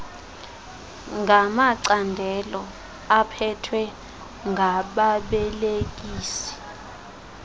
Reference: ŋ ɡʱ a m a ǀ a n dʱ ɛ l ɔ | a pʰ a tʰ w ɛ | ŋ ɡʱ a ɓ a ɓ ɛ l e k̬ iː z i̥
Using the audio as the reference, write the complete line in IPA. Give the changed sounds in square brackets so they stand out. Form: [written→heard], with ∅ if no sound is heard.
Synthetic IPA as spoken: ŋ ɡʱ a m a ǀ a n dʱ ɛ l ɔ | a pʰ [a→ɛ] tʰ w ɛ | ŋ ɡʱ a ɓ a ɓ ɛ l e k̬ iː [z→s] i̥